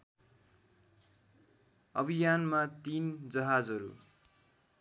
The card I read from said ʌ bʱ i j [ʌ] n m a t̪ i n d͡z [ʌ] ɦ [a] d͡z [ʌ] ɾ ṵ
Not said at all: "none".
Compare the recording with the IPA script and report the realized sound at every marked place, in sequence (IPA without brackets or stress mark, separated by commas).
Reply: a, ʌ, a, ʌ